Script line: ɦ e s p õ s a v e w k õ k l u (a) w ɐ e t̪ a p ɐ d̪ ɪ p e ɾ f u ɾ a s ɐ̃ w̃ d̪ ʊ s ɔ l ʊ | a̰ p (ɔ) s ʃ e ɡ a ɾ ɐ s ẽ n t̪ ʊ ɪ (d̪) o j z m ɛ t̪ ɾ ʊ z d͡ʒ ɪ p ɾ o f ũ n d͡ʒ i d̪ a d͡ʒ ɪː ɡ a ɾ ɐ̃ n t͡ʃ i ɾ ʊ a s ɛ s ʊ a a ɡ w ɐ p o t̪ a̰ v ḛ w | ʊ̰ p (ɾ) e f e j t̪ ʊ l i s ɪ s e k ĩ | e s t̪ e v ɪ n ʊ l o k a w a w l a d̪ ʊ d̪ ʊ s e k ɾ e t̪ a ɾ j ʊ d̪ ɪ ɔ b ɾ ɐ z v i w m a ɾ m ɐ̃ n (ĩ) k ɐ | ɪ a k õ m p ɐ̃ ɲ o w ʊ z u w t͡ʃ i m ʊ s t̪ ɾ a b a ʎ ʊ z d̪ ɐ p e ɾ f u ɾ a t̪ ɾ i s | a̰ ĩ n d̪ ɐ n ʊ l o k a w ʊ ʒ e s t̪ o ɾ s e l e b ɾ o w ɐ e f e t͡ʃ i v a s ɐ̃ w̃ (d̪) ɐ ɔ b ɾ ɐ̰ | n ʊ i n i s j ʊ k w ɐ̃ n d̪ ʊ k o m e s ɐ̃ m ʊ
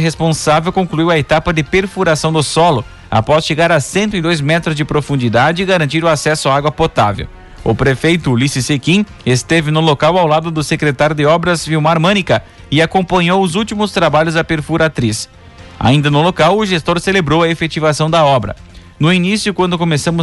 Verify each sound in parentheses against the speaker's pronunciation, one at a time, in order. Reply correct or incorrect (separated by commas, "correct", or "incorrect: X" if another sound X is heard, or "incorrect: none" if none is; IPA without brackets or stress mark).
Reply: incorrect: i, correct, correct, correct, incorrect: i, correct